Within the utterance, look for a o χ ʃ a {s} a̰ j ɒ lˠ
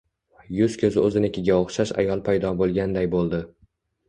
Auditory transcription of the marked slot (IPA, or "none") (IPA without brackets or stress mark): ʃ